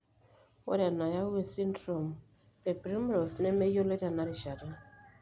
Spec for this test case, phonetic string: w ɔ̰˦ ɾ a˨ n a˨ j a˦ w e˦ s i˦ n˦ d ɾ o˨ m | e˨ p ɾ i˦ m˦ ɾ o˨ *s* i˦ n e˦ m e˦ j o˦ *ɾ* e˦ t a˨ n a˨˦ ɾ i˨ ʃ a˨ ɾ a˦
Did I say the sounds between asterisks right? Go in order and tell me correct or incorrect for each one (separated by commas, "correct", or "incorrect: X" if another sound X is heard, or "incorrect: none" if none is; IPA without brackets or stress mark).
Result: correct, incorrect: l